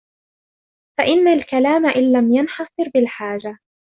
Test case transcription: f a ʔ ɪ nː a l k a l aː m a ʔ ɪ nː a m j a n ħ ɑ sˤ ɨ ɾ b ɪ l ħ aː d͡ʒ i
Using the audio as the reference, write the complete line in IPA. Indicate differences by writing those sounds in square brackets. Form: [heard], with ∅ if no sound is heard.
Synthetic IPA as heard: f a ʔ ɪ nː a l k a l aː m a ʔ ɪ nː a m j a n ħ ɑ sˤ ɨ ɾ b ɪ l ħ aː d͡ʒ [a]